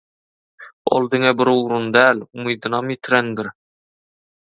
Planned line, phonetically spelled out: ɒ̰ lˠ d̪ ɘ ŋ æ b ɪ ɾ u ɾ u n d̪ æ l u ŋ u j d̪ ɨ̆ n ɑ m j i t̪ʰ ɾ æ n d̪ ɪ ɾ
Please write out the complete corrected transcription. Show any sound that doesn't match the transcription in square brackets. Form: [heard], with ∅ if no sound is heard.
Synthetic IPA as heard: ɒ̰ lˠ d̪ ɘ ŋ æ b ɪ ɾ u ɾ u n d̪ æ l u [m] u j d̪ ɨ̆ n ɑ m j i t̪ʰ ɾ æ n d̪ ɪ ɾ